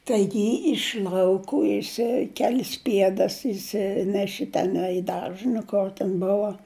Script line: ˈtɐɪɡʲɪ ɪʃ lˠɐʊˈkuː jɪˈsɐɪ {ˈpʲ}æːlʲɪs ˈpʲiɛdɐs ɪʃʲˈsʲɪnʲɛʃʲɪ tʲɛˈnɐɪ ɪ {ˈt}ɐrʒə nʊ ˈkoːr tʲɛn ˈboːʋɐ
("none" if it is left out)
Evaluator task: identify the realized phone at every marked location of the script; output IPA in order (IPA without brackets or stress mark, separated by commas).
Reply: kʲ, d